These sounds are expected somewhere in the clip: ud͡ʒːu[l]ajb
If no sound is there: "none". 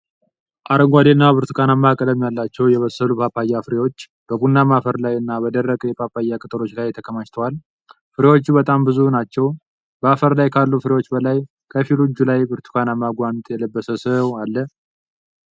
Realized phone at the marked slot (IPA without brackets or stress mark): l